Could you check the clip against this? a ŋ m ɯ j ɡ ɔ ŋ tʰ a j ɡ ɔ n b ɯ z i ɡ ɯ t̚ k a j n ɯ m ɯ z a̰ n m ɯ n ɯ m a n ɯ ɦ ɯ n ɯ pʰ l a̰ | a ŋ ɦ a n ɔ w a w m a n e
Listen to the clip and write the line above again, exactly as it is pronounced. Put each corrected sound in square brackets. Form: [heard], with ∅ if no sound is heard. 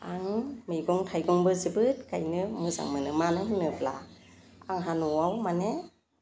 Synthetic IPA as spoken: a ŋ m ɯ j ɡ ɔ ŋ tʰ a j ɡ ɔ [ŋ] b ɯ z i [b] ɯ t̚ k a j n ɯ m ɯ z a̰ [ŋ] m ɯ n ɯ m a n ɯ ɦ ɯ n ɯ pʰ l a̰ | a ŋ ɦ a n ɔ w a w m a n e